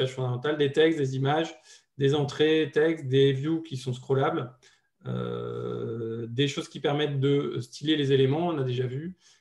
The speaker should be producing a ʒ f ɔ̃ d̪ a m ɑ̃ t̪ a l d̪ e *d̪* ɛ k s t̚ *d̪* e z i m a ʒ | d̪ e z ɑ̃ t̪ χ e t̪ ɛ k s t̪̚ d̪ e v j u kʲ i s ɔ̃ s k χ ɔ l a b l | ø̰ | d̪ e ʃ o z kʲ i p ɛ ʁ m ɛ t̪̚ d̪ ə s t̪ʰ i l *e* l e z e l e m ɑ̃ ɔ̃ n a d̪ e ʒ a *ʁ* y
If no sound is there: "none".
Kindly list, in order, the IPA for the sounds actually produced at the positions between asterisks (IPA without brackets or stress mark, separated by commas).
t̪, d̪, e, v